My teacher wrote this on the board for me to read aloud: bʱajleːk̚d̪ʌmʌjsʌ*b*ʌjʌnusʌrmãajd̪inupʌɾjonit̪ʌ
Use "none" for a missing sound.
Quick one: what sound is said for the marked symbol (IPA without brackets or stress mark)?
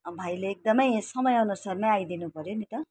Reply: m